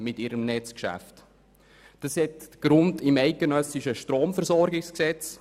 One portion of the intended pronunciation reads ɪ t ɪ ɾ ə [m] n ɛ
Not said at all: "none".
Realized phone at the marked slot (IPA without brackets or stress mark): m